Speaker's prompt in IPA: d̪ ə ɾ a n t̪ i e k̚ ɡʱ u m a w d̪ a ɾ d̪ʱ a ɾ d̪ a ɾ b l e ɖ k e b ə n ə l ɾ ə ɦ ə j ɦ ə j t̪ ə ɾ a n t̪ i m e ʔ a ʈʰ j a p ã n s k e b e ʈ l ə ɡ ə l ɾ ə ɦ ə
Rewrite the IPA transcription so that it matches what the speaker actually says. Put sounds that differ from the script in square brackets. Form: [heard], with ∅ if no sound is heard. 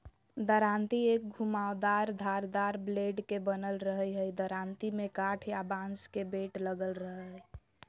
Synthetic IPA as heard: d̪ ə ɾ a n t̪ i e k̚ ɡʱ u m a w d̪ a ɾ d̪ʱ a ɾ d̪ a ɾ b l e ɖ k e b ə n ə l ɾ ə ɦ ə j ɦ ə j [d̪] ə ɾ a n t̪ i m e [k] a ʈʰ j a [b] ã n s k e b e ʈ l ə ɡ ə l ɾ ə ɦ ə